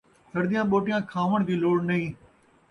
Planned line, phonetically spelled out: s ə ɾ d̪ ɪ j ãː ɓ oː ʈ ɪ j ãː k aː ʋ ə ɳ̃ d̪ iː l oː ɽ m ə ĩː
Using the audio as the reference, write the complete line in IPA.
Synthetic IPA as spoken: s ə ɾ d̪ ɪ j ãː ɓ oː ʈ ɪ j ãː kʰ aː ʋ ə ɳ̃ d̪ iː l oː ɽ n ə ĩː

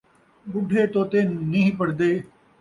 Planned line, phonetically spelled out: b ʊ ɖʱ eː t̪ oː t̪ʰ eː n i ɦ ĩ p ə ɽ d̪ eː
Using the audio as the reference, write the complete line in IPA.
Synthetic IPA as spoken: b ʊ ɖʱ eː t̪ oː t̪ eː n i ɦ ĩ p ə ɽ d̪ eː

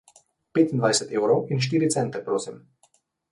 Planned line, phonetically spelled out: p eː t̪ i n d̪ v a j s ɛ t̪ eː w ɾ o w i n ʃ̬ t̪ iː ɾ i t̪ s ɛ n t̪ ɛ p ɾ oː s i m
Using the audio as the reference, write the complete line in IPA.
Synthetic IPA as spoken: p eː t̪ i n d̪ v a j s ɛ t̪ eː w ɾ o w i n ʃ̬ t̪ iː ɾ i t̪ s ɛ n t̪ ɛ p ɾ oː s i m

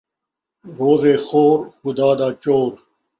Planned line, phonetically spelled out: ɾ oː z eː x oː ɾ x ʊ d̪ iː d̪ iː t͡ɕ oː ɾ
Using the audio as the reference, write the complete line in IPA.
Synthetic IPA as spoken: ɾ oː z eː x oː ɾ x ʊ d̪ aː d̪ aː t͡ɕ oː ɾ

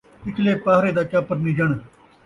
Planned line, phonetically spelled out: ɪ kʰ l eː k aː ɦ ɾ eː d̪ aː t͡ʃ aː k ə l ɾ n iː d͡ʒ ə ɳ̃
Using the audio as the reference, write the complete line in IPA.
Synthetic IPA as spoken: ɪ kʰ l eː p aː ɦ ɾ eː d̪ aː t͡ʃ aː p ə ɾ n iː d͡ʒ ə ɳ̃

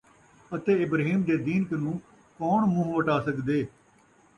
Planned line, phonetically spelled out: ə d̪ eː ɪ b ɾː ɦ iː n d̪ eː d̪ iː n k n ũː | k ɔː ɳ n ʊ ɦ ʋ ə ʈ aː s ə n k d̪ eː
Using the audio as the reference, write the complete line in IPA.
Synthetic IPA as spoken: ə t̪ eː ɪ b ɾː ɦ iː m d̪ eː d̪ iː n k n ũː | k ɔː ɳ m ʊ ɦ ʋ ə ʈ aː s ə k d̪ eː

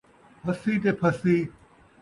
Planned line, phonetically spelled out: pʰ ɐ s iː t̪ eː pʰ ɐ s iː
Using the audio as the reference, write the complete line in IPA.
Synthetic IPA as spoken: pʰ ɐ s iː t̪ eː pʰ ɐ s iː

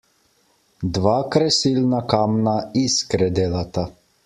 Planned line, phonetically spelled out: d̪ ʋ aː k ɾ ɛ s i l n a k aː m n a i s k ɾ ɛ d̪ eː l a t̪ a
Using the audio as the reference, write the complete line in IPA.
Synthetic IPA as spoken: d̪ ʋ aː k ɾ ɛ s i l n a k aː m n a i s k ɾ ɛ d̪ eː l a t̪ a

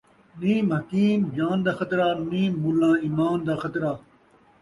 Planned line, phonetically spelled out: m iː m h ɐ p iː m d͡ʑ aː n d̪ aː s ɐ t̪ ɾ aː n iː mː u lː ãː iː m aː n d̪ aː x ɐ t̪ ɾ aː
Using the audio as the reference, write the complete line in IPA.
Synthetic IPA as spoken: n iː m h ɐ k iː m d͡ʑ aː n d̪ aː x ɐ t̪ ɾ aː n iː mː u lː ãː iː m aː n d̪ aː x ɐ t̪ ɾ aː

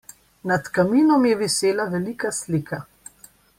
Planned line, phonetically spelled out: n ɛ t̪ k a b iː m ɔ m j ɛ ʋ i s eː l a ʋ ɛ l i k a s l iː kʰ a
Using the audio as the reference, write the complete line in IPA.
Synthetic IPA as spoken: n a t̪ k a m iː n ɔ m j ɛ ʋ i s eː l a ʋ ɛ l i k a s l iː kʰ a

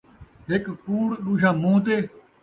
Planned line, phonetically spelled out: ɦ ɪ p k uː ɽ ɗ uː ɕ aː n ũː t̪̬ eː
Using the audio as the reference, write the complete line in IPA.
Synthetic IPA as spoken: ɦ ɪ k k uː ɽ ɗ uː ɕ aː m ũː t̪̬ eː

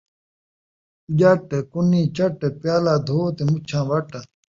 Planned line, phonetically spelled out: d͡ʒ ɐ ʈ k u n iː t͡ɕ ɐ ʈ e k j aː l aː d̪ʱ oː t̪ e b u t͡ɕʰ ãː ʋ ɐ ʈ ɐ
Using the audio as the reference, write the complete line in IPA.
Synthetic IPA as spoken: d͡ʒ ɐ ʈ k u n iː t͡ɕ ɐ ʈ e p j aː l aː d̪ʱ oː t̪ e m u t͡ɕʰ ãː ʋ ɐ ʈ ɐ

